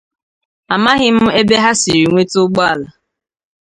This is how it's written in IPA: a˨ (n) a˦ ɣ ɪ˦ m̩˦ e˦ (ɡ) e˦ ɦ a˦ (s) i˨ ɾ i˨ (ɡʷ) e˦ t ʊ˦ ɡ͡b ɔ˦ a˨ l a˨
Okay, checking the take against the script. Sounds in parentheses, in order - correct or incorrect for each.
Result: incorrect: m, incorrect: b, correct, incorrect: ŋʷ

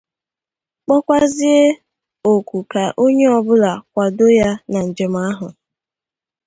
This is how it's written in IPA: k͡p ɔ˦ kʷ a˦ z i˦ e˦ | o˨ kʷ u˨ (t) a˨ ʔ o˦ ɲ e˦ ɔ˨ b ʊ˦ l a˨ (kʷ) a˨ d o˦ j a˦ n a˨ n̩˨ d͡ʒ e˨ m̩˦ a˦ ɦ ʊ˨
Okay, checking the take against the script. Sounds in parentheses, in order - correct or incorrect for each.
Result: incorrect: k, correct

